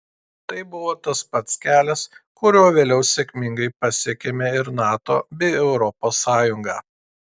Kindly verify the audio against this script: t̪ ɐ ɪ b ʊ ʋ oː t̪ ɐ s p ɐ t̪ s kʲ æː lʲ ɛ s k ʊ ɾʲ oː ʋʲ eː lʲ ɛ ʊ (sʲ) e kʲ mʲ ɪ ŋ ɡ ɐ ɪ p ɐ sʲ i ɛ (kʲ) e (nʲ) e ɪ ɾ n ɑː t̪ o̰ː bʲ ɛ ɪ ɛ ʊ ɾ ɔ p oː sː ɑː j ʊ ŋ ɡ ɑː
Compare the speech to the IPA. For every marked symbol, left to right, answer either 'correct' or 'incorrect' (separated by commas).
correct, correct, incorrect